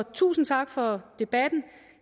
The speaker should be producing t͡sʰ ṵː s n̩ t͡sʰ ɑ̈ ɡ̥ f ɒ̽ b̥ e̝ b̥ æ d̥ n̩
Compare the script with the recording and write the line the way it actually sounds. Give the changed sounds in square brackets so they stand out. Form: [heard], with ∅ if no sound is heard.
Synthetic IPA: t͡sʰ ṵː s n̩ t͡sʰ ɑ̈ ɡ̥ f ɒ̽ [d̥] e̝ b̥ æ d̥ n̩